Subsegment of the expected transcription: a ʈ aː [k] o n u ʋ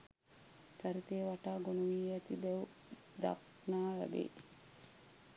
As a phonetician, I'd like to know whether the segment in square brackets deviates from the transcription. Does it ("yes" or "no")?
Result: yes